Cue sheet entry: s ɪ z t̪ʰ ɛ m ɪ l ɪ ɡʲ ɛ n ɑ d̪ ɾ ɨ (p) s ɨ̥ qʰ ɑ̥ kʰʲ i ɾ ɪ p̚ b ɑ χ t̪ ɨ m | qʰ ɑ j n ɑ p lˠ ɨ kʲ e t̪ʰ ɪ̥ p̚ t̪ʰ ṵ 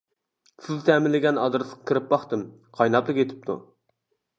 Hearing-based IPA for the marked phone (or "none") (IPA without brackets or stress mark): none